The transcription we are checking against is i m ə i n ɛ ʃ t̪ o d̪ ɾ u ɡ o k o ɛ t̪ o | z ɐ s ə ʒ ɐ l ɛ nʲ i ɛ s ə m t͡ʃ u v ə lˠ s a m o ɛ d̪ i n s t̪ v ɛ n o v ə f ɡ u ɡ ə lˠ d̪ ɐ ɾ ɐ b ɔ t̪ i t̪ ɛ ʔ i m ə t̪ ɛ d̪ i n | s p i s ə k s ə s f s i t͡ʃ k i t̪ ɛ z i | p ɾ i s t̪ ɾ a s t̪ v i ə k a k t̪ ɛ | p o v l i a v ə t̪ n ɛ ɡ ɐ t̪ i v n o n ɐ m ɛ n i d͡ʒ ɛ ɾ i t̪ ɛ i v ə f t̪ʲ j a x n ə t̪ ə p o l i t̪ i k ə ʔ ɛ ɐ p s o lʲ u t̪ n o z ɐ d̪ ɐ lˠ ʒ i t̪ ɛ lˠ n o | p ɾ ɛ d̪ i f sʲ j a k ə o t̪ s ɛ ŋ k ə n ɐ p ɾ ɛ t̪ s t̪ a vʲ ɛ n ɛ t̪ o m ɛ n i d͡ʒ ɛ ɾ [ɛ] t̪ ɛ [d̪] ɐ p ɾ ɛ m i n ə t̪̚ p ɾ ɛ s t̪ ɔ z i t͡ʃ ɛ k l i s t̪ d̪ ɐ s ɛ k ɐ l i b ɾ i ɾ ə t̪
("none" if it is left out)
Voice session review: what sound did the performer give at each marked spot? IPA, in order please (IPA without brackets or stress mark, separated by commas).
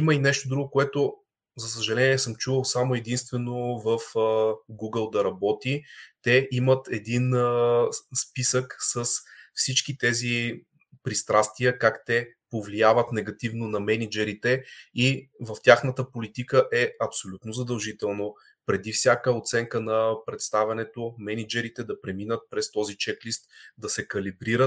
i, d̪